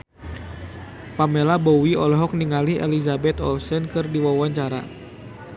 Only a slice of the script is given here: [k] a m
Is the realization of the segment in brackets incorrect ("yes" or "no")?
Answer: yes